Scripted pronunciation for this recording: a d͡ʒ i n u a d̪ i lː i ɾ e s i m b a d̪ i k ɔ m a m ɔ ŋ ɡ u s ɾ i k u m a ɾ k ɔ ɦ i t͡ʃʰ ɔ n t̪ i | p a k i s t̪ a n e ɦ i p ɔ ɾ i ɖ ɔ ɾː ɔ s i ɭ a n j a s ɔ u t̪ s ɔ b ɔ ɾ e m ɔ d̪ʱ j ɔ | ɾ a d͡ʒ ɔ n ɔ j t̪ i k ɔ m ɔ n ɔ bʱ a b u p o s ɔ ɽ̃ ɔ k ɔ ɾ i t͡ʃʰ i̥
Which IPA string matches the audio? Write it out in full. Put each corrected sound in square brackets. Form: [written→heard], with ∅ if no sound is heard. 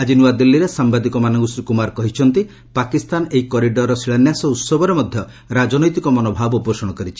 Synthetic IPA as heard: a d͡ʒ i n u a d̪ i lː i ɾ e s [i→a] m b a d̪ i k ɔ m a [m→n] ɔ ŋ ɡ u s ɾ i k u m a ɾ k ɔ ɦ i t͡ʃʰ ɔ n t̪ i | p a k i s t̪ a n e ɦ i [p→k] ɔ ɾ i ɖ ɔ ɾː ɔ s i ɭ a n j a s ɔ u t̪ s ɔ b ɔ ɾ e m ɔ d̪ʱ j ɔ | ɾ a d͡ʒ ɔ n ɔ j t̪ i k ɔ m ɔ n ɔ bʱ a b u p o s ɔ ɽ̃ ɔ k ɔ ɾ i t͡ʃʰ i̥